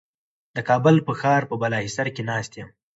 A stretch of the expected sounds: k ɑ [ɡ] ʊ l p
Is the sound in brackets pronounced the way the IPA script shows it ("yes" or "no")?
no